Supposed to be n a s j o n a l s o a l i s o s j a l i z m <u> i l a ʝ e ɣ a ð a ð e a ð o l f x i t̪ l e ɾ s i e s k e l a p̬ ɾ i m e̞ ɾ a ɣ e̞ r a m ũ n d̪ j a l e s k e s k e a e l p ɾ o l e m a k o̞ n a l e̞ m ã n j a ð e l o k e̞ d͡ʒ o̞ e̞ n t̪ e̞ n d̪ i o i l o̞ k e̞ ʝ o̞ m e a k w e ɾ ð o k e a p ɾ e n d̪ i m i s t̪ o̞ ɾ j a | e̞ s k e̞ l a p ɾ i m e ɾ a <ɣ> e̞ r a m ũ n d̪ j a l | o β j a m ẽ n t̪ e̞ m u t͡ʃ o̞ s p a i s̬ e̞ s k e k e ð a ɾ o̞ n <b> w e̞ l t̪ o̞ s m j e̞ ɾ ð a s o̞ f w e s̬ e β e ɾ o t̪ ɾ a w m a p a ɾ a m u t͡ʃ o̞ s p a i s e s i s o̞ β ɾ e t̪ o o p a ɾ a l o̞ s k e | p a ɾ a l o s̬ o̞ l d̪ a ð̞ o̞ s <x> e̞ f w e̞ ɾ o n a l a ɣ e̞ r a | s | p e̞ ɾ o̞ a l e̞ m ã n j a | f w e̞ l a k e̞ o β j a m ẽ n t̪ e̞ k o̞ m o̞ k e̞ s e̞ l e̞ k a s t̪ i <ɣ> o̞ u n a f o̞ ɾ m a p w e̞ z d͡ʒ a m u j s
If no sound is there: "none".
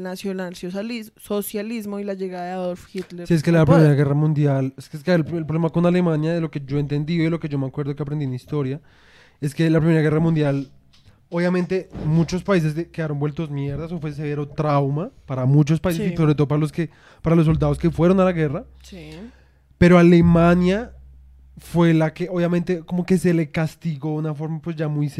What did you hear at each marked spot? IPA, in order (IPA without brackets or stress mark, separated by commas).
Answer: o, ɣ, b, k, ɣ